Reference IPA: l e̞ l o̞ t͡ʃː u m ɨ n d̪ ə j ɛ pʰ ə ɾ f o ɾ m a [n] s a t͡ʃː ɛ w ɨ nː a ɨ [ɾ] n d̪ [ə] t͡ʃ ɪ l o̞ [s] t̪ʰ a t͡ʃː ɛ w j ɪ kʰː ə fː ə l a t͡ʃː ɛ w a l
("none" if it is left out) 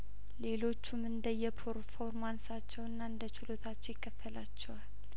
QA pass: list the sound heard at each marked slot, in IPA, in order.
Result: n, none, ə, none

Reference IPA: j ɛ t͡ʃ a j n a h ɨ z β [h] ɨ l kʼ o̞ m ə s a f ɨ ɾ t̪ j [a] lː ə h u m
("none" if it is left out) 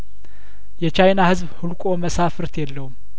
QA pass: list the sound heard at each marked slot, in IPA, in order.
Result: h, ɛ

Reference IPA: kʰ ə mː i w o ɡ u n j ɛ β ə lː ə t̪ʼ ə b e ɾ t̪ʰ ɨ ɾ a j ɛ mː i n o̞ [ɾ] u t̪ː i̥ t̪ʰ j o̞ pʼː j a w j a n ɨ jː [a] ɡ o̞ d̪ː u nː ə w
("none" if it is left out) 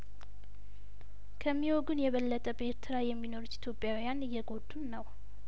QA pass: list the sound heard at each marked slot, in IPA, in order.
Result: ɾ, ɛ

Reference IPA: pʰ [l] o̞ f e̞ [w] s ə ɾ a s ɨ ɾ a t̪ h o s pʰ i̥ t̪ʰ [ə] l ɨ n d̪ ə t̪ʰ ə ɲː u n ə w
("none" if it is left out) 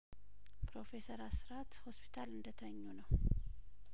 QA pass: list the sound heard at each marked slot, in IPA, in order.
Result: ɾ, none, a

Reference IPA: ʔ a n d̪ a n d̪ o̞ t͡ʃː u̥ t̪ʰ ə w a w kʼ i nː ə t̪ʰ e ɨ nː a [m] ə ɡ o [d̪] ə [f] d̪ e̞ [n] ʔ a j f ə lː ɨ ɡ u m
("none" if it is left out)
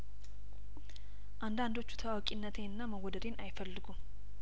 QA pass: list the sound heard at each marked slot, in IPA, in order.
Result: m, d̪, none, n

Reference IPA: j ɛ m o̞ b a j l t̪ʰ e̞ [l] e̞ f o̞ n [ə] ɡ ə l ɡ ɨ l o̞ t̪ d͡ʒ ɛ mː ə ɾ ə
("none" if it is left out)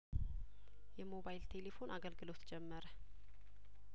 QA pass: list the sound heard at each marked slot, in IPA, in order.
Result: l, a

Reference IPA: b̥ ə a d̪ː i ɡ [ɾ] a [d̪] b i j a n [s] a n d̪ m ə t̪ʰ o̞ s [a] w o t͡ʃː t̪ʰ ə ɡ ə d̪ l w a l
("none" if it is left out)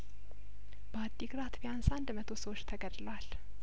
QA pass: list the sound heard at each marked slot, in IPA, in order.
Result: ɾ, t̪, s, ə

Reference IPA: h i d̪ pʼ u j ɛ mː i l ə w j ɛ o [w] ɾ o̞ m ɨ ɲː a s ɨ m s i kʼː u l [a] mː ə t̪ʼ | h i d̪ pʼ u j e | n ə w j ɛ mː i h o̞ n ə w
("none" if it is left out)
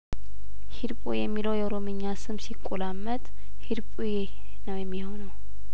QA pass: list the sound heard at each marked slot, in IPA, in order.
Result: none, a

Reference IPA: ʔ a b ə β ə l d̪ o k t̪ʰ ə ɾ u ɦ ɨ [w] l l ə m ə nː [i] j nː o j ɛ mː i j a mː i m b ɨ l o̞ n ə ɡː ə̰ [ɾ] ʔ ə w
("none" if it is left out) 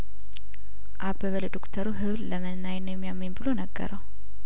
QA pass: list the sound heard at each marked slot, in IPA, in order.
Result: β, a, ɾ

